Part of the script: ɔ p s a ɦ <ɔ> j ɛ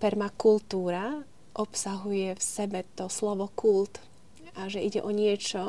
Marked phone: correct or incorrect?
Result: incorrect